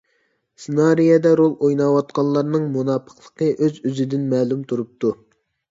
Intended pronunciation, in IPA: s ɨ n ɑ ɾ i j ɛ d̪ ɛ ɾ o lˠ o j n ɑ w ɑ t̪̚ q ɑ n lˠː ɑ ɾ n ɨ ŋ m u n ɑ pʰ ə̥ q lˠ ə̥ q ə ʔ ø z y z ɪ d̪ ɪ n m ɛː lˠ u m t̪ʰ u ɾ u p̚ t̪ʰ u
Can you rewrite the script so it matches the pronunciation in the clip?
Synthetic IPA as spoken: s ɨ n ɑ ɾ i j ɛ d̪ ɛ ɾ o lˠ o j n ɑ w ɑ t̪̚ q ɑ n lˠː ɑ ɾ n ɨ ŋ m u n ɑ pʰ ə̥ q lˠ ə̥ q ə ʔ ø z y z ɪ d̪ ɪ n m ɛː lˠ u m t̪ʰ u ɾ u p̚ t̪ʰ u